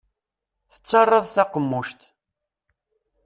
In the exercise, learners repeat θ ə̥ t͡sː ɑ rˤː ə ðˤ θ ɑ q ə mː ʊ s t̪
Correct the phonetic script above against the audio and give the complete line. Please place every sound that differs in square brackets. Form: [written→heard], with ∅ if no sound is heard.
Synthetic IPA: θ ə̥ t͡sː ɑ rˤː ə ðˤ θ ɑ q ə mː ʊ [s→ʃ] t̪